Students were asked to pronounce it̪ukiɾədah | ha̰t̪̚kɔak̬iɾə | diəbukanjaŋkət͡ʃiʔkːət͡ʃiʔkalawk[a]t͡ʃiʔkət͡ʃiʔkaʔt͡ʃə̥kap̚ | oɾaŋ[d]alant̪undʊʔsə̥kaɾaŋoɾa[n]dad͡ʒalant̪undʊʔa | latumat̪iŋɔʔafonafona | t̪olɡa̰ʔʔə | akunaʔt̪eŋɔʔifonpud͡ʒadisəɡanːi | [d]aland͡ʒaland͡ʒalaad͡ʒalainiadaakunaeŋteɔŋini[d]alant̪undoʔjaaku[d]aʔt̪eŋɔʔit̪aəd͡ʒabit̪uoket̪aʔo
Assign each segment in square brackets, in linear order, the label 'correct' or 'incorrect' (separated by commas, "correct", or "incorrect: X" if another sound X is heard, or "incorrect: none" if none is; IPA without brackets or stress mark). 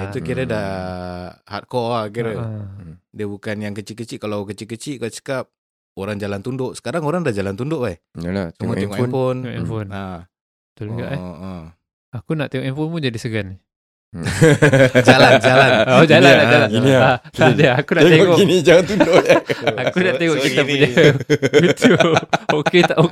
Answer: incorrect: ə, incorrect: d͡ʒ, incorrect: ŋ, incorrect: d͡ʒ, incorrect: d͡ʒ, incorrect: n